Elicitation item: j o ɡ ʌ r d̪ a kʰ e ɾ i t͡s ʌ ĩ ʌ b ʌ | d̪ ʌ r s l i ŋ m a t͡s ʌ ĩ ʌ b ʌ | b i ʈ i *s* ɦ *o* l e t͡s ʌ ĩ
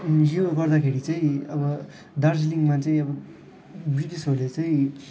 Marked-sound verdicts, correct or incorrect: correct, correct

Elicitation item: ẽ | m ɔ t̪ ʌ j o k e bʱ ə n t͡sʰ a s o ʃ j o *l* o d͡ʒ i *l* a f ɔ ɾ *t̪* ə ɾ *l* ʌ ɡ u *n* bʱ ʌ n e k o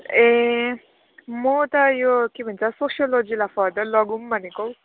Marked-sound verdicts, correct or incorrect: correct, correct, incorrect, correct, incorrect

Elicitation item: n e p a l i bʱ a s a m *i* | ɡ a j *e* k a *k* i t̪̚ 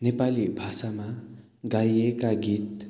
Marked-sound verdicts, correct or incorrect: incorrect, correct, incorrect

